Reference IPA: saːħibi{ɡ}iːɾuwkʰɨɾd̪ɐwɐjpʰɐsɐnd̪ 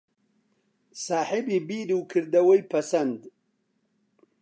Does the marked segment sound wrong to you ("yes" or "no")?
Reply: yes